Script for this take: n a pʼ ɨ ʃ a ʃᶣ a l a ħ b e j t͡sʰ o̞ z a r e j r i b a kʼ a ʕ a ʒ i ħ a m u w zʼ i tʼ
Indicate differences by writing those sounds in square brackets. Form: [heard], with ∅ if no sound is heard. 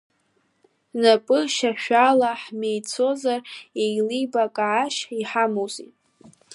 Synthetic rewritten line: n a pʼ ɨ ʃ a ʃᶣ a l a ħ [m] e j t͡sʰ o̞ z a r e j [l] i b a kʼ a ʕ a [ʃ] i ħ a m [o] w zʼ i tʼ